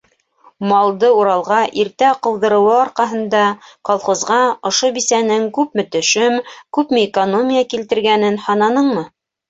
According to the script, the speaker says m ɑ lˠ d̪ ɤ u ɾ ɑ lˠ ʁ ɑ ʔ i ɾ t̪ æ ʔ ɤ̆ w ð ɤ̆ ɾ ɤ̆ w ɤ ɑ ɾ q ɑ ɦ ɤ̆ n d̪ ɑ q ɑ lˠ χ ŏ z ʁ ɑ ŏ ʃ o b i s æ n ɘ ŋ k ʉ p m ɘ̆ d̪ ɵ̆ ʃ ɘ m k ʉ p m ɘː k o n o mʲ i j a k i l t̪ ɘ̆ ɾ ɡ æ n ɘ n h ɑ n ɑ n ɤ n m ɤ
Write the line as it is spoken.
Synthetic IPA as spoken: m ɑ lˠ d̪ ɤ u ɾ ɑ lˠ ʁ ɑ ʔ i ɾ t̪ æ q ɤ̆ w ð ɤ̆ ɾ ɤ̆ w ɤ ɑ ɾ q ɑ ɦ ɤ̆ n d̪ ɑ q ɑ lˠ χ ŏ z ʁ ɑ ŏ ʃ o b i s æ n ɘ ŋ k ʉ p m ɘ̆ t̪ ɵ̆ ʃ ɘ m k ʉ p m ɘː k o n o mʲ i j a k i l t̪ ɘ̆ ɾ ɡ æ n ɘ n h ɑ n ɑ n ɤ ɴ m ɤ